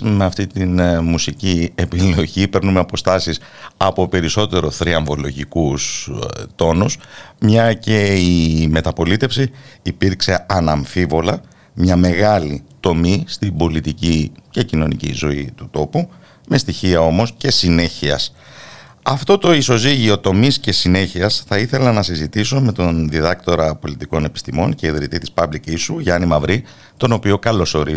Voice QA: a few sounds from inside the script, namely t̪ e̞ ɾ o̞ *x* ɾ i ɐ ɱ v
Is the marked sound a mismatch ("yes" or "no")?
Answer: yes